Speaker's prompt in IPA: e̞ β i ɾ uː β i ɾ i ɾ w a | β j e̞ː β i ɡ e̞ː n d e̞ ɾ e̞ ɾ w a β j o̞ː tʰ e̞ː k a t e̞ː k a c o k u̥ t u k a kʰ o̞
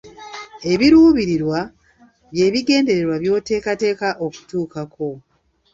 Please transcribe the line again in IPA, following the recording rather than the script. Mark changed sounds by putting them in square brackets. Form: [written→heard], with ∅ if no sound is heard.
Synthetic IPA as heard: e̞ β i ɾ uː β i ɾ i ɾ w a | β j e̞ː β i ɡ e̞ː n d e̞ ɾ e̞ ɾ w a β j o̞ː [tʰ→t] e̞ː k a t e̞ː k a [c→ʔ] o k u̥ t [u→uː] k a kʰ o̞